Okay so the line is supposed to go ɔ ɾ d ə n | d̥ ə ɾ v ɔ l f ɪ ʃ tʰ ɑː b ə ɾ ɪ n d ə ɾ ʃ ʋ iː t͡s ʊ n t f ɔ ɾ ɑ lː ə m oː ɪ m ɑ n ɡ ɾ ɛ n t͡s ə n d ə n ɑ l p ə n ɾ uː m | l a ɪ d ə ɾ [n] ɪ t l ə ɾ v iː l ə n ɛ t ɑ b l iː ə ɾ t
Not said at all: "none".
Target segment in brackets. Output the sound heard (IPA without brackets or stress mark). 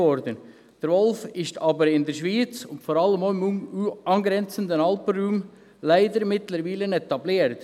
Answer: m